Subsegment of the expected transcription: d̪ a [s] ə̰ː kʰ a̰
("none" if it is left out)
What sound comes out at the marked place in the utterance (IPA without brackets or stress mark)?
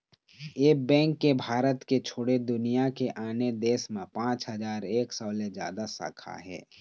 s